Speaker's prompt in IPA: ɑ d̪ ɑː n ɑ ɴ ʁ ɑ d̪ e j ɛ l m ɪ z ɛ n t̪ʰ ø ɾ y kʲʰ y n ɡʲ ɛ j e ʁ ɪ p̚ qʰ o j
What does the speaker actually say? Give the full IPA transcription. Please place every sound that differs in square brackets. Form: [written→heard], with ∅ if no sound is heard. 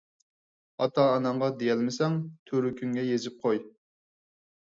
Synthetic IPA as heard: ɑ [d̪→t̪] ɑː n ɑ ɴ ʁ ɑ d̪ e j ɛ l m ɪ [z→s] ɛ [n→ŋ] t̪ʰ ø ɾ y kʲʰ y [n→ŋ] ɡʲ ɛ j e [ʁ→z] ɪ p̚ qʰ o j

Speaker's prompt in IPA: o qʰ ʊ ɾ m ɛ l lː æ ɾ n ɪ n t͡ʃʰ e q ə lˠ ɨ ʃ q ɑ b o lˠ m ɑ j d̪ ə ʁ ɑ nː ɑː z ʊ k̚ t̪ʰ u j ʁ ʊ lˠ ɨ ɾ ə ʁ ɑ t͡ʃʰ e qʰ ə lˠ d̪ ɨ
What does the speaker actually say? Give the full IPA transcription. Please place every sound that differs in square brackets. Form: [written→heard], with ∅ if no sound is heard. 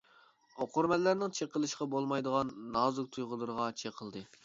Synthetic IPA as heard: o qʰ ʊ ɾ m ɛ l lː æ ɾ n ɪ [n→ŋ] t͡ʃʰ e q ə lˠ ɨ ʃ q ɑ b o lˠ m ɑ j d̪ ə ʁ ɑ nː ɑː z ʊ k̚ t̪ʰ u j ʁ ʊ lˠ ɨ ɾ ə ʁ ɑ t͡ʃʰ e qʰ ə lˠ d̪ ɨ

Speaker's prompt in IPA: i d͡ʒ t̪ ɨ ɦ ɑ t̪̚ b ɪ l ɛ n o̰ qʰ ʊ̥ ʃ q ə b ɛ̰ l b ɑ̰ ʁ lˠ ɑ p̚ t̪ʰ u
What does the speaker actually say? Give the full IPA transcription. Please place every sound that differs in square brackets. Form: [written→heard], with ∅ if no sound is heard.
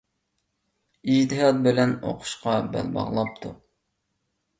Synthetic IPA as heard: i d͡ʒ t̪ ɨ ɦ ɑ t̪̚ b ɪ l ɛ n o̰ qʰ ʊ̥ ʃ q [ə→ɑ] b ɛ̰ l b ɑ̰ ʁ lˠ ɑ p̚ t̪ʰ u

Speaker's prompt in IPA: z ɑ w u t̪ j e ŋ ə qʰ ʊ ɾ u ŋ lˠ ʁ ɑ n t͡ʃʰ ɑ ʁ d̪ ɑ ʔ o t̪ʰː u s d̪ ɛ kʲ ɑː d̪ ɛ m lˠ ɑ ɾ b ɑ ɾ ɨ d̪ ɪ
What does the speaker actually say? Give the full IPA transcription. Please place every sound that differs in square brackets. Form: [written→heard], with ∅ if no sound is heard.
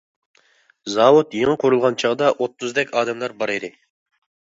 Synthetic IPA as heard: z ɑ w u t̪ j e ŋ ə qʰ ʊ ɾ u [ŋ→∅] lˠ ʁ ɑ n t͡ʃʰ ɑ ʁ d̪ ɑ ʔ o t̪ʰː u [s→z] d̪ ɛ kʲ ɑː d̪ ɛ m lˠ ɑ ɾ b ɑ ɾ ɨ d̪ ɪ

